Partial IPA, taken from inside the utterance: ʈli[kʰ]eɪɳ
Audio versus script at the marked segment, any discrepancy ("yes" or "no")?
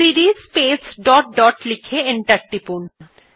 no